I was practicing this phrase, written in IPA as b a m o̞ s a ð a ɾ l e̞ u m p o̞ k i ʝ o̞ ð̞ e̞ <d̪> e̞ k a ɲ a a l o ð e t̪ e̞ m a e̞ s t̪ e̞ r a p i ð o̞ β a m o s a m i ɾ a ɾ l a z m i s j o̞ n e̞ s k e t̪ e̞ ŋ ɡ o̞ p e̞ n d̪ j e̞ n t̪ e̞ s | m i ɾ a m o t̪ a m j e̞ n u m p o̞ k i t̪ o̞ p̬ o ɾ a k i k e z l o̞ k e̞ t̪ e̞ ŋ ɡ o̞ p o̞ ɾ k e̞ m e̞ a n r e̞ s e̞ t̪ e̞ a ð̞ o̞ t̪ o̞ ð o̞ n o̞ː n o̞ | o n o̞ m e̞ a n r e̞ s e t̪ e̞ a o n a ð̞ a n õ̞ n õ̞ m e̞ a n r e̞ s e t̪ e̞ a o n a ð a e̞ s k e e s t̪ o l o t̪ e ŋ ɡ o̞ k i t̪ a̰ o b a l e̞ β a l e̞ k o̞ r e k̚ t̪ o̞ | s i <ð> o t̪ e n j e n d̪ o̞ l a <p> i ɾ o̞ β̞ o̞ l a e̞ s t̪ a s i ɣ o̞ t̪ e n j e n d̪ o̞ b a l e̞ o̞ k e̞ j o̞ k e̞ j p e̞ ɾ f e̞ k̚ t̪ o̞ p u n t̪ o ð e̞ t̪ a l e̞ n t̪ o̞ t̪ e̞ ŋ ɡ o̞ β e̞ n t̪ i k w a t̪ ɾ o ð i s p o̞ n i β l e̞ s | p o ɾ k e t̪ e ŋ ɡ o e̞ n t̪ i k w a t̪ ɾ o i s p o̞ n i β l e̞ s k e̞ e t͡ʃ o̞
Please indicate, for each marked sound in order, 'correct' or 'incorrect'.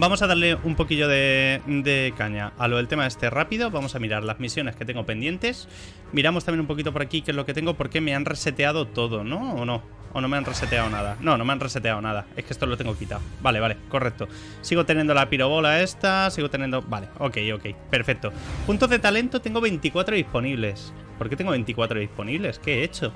correct, incorrect, correct

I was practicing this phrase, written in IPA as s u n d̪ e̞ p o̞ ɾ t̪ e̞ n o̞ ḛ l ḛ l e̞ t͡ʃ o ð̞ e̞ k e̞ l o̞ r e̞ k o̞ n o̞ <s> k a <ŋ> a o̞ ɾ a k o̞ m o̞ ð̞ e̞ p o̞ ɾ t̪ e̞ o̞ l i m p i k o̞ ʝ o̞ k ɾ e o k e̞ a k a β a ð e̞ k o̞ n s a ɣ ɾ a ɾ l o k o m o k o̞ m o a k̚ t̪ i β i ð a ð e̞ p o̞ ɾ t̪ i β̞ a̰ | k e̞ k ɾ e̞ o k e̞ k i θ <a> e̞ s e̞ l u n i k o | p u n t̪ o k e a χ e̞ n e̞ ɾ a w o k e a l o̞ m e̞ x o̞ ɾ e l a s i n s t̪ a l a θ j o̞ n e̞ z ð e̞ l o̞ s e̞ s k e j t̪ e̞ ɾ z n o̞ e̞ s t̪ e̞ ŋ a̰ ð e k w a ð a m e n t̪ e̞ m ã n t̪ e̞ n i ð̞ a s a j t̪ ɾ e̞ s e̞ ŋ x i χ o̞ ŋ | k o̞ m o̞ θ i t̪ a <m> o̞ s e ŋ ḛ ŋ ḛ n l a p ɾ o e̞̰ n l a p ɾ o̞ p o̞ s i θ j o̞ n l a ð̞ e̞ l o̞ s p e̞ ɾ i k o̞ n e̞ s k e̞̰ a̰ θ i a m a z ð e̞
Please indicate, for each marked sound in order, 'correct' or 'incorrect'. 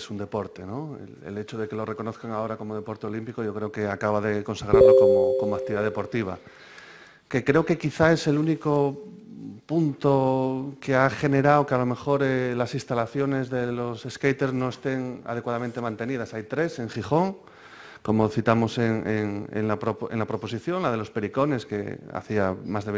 incorrect, correct, correct, correct

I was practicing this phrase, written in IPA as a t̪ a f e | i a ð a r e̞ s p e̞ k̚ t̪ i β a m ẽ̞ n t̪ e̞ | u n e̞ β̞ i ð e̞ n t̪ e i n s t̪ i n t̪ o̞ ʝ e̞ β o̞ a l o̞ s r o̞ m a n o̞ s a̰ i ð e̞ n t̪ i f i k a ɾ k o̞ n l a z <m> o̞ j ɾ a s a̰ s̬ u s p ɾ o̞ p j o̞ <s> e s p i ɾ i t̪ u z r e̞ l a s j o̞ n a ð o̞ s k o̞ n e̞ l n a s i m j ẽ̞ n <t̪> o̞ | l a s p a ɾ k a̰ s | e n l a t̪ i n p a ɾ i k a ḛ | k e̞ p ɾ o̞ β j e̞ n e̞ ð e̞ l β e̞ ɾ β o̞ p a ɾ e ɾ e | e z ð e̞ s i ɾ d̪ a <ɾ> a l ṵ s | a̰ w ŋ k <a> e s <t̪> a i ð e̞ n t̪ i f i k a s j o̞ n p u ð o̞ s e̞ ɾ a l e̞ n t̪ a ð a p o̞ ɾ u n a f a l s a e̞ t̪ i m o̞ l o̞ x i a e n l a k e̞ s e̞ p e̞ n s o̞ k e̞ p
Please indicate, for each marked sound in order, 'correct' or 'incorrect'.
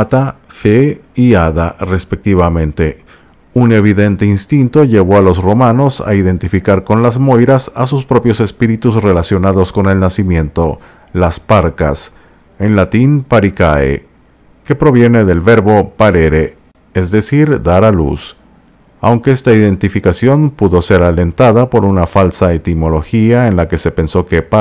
correct, correct, correct, correct, incorrect, correct

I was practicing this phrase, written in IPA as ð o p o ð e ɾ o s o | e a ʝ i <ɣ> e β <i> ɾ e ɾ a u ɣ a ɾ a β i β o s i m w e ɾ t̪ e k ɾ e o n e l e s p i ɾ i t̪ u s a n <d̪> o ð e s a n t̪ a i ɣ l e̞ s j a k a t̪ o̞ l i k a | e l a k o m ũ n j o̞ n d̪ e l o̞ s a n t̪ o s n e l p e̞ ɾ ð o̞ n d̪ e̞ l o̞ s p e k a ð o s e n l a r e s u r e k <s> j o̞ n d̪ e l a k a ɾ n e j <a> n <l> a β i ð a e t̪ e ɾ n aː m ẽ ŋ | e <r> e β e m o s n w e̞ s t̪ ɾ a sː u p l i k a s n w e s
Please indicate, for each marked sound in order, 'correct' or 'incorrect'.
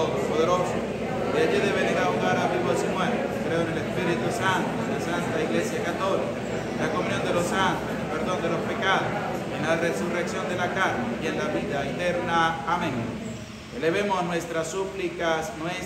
incorrect, incorrect, incorrect, correct, incorrect, correct, incorrect

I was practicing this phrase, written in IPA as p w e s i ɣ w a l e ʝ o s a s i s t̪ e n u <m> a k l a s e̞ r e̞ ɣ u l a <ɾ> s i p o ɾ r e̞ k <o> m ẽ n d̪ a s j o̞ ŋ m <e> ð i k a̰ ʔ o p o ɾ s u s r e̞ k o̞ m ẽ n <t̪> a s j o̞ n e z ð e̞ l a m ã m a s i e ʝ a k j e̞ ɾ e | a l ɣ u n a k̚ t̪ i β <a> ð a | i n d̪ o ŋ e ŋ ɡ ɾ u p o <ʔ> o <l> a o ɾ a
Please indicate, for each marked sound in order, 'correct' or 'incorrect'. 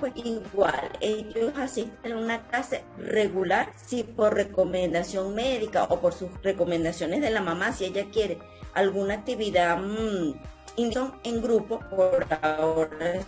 incorrect, correct, correct, correct, incorrect, incorrect, incorrect, incorrect

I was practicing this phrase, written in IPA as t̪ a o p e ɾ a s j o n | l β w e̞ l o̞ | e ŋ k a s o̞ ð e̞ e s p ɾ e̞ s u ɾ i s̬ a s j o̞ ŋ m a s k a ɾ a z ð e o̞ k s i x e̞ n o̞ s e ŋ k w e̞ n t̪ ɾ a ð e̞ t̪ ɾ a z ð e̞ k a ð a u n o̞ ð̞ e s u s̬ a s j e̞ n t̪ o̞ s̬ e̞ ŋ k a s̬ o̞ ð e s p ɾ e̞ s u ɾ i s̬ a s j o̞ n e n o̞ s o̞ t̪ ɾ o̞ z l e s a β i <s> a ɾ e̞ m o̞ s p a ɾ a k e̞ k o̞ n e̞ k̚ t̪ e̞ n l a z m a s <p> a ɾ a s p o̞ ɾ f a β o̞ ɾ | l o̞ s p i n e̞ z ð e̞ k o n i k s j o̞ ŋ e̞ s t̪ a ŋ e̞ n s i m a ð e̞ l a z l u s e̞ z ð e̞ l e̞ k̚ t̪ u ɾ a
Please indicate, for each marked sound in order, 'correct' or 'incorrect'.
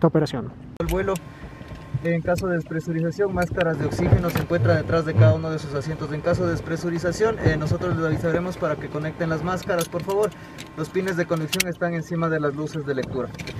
correct, incorrect

